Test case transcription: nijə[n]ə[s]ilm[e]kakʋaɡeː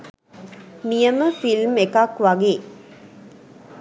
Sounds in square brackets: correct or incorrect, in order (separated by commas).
incorrect, incorrect, correct